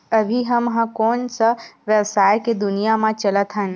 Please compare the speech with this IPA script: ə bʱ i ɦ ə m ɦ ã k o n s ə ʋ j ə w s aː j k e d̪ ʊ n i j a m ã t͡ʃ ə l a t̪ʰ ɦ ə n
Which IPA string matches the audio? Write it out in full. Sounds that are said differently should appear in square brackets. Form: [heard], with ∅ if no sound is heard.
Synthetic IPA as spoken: ə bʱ i ɦ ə m ɦ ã k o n s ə ʋ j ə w s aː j k e d̪ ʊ n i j a m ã t͡ʃ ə l [ə] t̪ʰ ɦ ə n